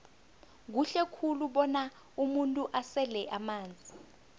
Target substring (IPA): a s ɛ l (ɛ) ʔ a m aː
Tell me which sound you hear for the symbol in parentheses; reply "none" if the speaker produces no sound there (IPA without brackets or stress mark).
ɛ